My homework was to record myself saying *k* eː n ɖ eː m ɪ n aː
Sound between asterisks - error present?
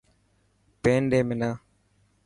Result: yes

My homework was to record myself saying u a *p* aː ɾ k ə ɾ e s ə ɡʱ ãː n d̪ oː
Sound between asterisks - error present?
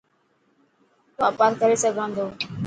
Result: no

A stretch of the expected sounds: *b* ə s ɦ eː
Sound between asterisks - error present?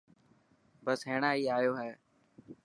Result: no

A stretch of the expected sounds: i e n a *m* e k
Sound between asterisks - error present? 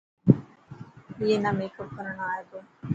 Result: no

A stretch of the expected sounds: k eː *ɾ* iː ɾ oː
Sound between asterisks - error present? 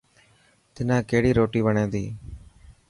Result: yes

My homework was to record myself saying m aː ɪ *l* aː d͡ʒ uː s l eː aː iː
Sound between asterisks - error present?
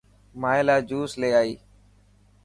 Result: no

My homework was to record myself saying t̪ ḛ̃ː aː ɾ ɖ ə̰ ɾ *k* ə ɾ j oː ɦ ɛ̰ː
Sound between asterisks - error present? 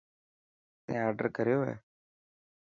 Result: no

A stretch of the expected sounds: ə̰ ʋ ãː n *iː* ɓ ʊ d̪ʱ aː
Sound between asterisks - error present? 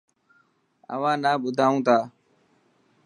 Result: yes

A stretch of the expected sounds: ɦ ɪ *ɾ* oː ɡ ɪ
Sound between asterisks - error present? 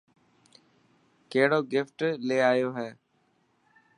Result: yes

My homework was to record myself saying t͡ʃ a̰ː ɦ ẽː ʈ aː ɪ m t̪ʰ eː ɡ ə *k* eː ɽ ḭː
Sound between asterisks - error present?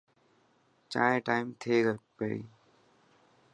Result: yes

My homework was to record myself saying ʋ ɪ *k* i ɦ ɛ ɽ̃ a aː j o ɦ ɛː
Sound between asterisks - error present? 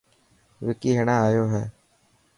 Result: no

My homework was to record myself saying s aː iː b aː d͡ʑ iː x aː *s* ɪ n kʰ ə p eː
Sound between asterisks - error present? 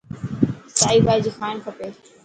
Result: yes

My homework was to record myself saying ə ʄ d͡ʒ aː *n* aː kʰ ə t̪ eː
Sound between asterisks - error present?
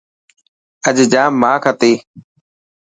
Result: yes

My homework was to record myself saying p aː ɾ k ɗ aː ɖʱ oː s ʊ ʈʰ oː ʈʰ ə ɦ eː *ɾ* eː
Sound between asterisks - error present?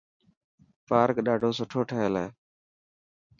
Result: yes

